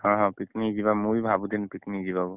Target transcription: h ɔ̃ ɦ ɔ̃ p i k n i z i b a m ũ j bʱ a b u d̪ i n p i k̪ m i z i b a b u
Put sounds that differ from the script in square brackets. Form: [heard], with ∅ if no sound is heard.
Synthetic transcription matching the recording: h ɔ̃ ɦ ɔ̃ p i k n i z i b a m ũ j bʱ a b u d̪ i n p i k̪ [n] i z i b a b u